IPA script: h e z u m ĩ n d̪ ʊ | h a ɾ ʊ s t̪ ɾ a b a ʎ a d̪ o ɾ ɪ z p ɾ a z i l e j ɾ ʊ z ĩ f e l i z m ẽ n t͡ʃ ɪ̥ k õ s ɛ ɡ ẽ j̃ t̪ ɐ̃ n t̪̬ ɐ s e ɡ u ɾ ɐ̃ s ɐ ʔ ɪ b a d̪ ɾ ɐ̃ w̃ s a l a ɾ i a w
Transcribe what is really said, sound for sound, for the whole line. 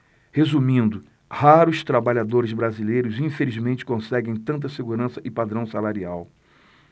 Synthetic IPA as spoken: h e z u m ĩ n d̪ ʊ | h a ɾ ʊ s t̪ ɾ a b a ʎ a d̪ o ɾ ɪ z b ɾ a z i l e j ɾ ʊ z ĩ f e l i z m ẽ n t͡ʃ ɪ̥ k õ s ɛ ɡ ẽ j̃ t̪ ɐ̃ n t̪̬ ɐ s e ɡ u ɾ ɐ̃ s ɐ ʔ ɪ p a d̪ ɾ ɐ̃ w̃ s a l a ɾ i a w